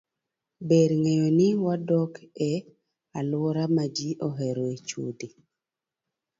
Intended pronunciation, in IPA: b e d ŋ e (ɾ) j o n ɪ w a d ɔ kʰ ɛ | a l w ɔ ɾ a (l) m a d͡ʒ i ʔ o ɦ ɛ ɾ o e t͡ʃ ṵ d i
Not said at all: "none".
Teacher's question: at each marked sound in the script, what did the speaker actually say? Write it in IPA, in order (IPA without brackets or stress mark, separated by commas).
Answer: none, none